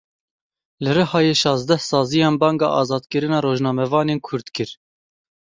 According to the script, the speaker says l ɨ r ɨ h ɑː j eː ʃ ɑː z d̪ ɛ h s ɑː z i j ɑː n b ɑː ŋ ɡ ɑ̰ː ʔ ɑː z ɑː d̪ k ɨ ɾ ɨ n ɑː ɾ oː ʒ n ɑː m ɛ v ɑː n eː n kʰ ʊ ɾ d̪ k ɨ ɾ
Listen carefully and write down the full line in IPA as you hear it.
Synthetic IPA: l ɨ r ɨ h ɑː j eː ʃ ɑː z d̪ ɛ h s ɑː z i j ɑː n b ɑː ŋ ɡ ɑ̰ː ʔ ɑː z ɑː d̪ k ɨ ɾ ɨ n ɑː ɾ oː ʒ n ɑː m ɛ v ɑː n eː n kʰ ʊ ɾ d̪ k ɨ ɾ